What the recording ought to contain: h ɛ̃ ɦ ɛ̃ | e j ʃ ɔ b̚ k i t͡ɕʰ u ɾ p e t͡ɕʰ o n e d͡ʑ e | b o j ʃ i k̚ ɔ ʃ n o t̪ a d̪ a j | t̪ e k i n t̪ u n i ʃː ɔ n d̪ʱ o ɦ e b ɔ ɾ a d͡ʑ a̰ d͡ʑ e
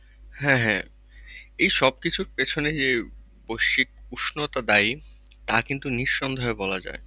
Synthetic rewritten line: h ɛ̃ ɦ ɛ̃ | e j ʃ ɔ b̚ k i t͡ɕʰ u ɾ p e t͡ɕʰ o n e d͡ʑ e | b o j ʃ i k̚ u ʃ n o t̪ a d̪ a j | t̪ a k i n t̪ u n i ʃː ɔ n d̪ʱ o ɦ e b ɔ l a d͡ʑ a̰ e

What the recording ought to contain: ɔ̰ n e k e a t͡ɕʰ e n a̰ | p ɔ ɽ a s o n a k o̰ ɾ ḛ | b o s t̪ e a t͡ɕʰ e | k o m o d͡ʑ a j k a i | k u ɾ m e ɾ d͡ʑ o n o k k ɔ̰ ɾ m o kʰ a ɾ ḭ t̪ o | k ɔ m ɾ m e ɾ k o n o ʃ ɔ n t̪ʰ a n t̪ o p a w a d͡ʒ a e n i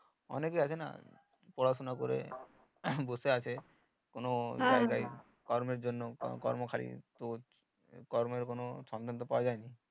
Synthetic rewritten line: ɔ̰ n e k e a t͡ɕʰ e n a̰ | p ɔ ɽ a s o n a k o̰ ɾ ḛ | b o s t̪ e a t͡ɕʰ e | k o n o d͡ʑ a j k a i | k ɔ ɾ m e ɾ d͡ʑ o nː o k k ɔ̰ ɾ m o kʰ a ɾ ḭ t̪ o | k ɔ ɾ m e ɾ k o n o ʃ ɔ n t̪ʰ a n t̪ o p a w a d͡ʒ a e n i

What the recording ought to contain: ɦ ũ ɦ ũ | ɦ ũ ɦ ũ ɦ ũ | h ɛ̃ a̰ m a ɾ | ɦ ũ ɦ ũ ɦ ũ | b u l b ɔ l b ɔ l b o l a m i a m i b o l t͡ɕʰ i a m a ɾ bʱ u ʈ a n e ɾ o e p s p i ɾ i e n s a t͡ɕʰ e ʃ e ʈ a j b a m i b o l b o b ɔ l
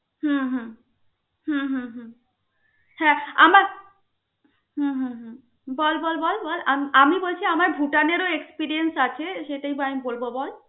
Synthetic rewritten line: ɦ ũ ɦ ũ | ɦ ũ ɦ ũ ɦ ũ | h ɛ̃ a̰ m a ɾ | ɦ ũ ɦ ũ ɦ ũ | b ɔ l b ɔ l b ɔ l b ɔ l a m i a m i b o l t͡ɕʰ i a m a ɾ bʱ u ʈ a n e ɾ o e k s p i ɾ i e n s a t͡ɕʰ e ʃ e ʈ a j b a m i b o l b o b ɔ l

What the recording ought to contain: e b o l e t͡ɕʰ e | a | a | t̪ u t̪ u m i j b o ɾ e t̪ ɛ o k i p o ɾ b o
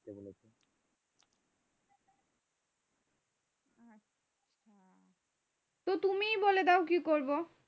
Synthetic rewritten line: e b o l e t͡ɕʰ e | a | a | t̪ o t̪ u m i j b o l e d̪ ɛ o k i k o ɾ b o

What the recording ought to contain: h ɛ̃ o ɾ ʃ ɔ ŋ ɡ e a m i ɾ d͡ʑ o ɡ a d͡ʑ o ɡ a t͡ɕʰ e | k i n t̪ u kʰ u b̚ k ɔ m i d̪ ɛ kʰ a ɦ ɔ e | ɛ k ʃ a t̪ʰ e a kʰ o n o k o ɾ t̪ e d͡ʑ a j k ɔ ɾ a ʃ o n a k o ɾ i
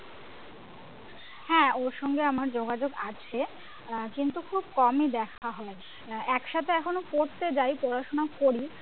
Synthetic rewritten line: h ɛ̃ o ɾ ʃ ɔ ŋ ɡ e a m a ɾ d͡ʑ o ɡ a d͡ʑ o ɡ a t͡ɕʰ e | k i n t̪ u kʰ u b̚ k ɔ m i d̪ ɛ kʰ a ɦ ɔ e | ɛ k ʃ a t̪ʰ e ɛ kʰ o n o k o ɾ t̪ e d͡ʑ a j p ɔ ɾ a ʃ o n a k o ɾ i

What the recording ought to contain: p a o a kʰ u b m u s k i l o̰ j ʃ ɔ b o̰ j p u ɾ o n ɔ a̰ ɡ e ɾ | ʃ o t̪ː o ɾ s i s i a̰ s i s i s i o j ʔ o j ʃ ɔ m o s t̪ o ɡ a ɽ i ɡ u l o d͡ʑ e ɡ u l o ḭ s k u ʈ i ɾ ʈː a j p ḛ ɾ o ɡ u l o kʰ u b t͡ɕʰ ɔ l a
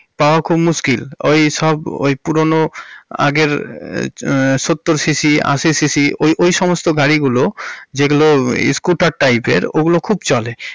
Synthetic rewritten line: p a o a kʰ u b m u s k i l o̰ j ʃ ɔ b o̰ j p u ɾ o n o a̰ ɡ e ɾ | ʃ o t̪ː o ɾ s i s i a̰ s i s i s i o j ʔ o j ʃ ɔ m o s t̪ o ɡ a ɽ i ɡ u l o d͡ʑ e ɡ u l o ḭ s k u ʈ a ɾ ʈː a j p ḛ ɾ o ɡ u l o kʰ u b t͡ɕ ɔ l e

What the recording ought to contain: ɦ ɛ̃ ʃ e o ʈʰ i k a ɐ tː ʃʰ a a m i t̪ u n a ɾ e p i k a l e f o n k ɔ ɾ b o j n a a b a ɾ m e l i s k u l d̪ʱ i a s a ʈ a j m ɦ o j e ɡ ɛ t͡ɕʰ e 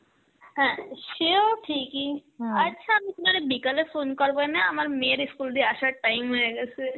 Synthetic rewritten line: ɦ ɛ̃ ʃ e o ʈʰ i k i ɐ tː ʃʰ a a m i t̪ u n a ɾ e b i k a l e f o n k ɔ ɾ b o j n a a m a ɾ m e ɾ i s k u l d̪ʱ i a ʃ a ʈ a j m ɦ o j e ɡ ɛ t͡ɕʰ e

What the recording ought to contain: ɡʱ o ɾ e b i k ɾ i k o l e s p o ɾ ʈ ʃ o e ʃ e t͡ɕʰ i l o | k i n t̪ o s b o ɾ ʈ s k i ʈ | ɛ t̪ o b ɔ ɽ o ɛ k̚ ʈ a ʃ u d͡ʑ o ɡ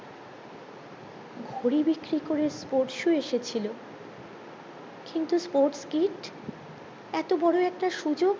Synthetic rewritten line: ɡʱ o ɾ i b i k ɾ i k o ɾ e s p o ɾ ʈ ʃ u e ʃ e t͡ɕʰ i l o | k i n t̪ u s p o ɾ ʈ s k i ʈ | ɛ t̪ o b ɔ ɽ o ɛ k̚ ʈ a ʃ u d͡ʑ o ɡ

